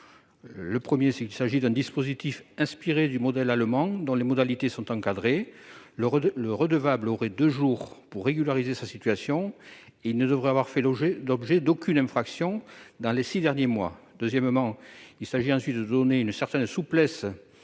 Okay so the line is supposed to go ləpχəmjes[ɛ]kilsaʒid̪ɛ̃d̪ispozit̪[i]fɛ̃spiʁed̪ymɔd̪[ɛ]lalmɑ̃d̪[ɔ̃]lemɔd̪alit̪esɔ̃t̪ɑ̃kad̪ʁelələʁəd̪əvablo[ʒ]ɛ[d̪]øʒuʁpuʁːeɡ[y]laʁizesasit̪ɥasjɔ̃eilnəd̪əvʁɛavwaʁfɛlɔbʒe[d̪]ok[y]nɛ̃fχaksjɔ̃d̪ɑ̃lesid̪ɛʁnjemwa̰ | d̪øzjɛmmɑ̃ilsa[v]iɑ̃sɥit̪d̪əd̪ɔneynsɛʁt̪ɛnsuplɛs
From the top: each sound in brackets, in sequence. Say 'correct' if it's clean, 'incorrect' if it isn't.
correct, correct, correct, correct, incorrect: ʁ, correct, correct, correct, correct, incorrect: ʒ

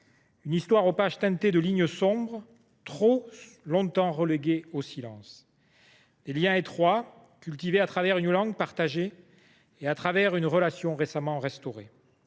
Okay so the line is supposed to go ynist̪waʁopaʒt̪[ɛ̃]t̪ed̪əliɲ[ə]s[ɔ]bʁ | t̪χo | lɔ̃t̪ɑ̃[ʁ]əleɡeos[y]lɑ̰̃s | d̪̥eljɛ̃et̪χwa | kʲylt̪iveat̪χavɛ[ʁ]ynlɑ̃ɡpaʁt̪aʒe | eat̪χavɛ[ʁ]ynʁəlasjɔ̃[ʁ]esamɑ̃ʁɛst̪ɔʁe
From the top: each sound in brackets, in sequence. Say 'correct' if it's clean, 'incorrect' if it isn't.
correct, correct, incorrect: ɔ̃, correct, incorrect: i, correct, correct, correct

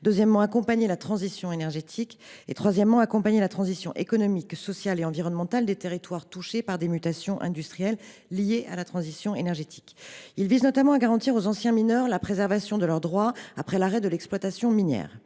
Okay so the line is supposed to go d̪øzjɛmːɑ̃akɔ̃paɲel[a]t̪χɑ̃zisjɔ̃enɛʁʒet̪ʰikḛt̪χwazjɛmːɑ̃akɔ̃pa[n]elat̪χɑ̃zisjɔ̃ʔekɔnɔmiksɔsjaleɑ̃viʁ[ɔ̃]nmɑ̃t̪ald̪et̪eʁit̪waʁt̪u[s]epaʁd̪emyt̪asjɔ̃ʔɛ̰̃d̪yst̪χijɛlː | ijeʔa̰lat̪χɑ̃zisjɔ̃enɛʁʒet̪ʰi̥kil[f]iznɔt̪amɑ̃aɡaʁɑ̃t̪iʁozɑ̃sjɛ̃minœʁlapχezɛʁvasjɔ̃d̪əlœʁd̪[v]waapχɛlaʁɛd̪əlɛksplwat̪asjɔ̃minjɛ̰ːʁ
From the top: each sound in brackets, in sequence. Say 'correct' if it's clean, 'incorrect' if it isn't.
correct, incorrect: ɲ, incorrect: ɔ, incorrect: ʃ, incorrect: v, incorrect: ʁ

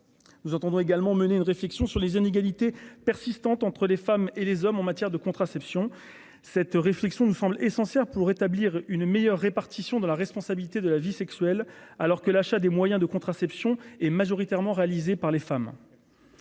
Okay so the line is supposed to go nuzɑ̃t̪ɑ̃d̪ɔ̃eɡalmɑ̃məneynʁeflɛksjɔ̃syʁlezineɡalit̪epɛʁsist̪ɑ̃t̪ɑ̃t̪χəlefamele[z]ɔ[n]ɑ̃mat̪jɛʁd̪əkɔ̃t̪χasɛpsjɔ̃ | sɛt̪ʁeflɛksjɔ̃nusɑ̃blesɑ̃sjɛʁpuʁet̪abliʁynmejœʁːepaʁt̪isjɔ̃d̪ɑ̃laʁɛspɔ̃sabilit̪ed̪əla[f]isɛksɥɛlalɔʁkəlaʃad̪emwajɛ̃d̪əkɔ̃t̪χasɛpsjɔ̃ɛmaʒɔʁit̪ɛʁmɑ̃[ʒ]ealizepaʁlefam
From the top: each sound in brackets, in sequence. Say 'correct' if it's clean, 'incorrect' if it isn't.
correct, incorrect: m, incorrect: v, incorrect: ʁ

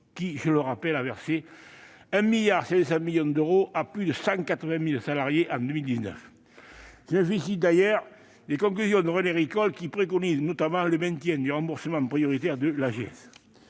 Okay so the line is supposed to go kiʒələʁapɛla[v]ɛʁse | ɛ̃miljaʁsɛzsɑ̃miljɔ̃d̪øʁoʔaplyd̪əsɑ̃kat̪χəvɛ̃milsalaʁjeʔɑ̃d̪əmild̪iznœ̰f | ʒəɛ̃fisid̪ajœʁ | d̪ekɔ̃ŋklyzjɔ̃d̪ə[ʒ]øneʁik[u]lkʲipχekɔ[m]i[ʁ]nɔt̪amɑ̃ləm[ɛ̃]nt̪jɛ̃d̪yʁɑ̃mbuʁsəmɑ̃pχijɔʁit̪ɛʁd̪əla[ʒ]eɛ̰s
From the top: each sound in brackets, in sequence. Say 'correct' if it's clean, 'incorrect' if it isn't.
correct, incorrect: ʁ, incorrect: ɔ, incorrect: n, incorrect: z, correct, correct

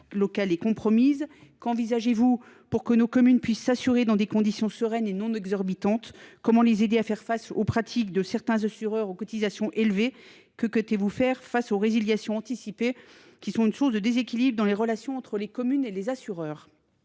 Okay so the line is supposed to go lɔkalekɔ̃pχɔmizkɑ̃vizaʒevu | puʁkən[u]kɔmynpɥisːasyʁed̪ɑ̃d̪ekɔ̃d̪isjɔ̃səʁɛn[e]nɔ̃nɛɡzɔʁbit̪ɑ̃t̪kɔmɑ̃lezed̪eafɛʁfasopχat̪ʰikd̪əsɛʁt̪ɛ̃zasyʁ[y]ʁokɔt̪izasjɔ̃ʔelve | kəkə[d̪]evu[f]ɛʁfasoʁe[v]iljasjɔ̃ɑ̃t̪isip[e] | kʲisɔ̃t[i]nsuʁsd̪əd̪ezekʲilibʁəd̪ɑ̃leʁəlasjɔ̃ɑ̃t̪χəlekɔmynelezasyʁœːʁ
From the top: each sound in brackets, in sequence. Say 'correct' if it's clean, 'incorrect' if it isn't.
incorrect: o, correct, incorrect: œ, incorrect: t̪, correct, incorrect: z, correct, incorrect: y

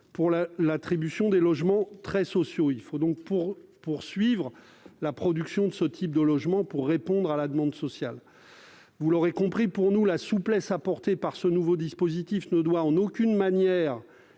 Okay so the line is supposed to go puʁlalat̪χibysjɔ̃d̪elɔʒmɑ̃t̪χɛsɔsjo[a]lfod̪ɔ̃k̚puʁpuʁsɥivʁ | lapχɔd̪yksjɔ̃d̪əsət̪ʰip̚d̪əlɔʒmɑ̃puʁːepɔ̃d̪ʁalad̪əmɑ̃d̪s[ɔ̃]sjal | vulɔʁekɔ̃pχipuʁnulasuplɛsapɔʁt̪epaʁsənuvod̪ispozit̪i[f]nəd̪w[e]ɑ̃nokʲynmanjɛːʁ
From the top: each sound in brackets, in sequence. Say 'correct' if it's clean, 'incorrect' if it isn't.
incorrect: i, incorrect: ɔ, correct, incorrect: a

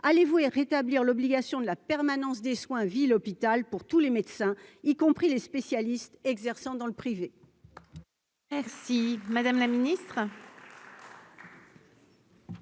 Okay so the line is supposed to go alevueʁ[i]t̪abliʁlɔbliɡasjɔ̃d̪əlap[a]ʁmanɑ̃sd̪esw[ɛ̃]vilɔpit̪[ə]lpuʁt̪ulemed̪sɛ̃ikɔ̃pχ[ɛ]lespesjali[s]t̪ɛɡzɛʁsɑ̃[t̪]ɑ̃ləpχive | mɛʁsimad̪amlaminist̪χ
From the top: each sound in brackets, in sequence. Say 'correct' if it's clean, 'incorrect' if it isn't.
incorrect: e, incorrect: ɛ, correct, incorrect: a, incorrect: i, correct, incorrect: d̪

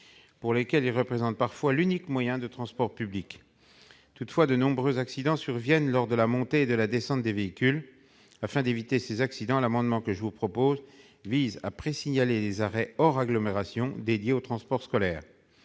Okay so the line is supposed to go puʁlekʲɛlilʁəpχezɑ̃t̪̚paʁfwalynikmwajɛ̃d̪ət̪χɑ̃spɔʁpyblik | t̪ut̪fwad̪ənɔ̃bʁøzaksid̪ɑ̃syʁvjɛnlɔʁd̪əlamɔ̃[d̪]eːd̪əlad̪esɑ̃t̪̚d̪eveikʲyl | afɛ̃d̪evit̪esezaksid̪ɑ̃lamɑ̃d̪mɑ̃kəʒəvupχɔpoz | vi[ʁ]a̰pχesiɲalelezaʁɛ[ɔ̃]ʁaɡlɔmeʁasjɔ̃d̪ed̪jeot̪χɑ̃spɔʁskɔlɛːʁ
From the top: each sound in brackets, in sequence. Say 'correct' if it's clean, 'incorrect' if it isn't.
incorrect: t̪, incorrect: z, incorrect: ɔ

